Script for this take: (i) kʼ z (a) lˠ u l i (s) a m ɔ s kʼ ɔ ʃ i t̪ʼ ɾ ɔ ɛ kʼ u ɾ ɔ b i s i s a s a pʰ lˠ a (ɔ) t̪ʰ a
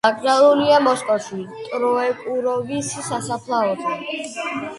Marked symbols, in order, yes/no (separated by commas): no, yes, no, yes